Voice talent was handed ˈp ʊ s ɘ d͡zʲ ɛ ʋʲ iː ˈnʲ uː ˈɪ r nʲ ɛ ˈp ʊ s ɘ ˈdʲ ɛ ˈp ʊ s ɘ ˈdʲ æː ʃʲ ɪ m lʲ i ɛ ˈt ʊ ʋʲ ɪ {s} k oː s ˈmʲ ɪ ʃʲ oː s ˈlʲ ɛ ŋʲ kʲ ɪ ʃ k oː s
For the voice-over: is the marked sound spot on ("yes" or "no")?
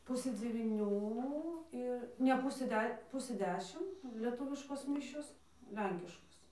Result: no